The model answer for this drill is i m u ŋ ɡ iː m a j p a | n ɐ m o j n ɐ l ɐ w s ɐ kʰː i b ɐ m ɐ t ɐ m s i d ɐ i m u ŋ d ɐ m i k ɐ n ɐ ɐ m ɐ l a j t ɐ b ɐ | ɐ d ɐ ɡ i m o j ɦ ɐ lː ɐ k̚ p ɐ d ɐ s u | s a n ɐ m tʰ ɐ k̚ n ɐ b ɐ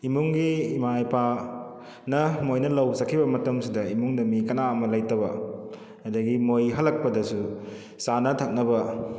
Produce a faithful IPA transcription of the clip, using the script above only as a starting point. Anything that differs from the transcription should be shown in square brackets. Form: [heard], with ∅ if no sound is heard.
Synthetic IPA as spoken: i m u ŋ ɡ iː m a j p a | n ɐ m o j n ɐ l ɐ w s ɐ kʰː i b ɐ m ɐ t ɐ m s i d ɐ i m u ŋ d ɐ m i k ɐ n [a] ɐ m ɐ l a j t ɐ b ɐ | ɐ d ɐ ɡ i m o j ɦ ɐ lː ɐ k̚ p ɐ d ɐ s u | s a n ɐ [∅] tʰ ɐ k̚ n ɐ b ɐ